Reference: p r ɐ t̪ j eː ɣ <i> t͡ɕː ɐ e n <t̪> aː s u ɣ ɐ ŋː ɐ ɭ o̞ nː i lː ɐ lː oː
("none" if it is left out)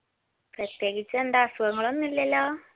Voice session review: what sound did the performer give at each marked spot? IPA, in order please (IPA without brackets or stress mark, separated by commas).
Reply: i, d̪